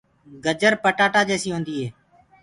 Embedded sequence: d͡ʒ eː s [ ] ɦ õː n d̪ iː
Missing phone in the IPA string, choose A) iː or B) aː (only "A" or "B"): A